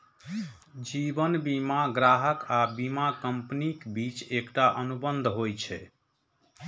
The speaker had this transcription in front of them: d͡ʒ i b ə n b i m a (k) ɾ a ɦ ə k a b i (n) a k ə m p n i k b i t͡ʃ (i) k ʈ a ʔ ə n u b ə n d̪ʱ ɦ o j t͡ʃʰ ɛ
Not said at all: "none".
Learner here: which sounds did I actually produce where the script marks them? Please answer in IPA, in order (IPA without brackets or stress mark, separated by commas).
ɡ, m, e